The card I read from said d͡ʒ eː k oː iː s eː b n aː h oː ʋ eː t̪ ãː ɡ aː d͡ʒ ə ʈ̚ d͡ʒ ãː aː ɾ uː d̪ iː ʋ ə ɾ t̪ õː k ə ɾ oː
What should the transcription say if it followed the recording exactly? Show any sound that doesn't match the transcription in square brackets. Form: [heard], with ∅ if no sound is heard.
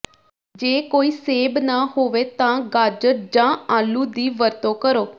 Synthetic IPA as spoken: d͡ʒ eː k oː iː s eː b n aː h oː ʋ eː t̪ ãː ɡ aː d͡ʒ ə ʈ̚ d͡ʒ ãː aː [l] uː d̪ iː ʋ ə ɾ t̪ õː k ə ɾ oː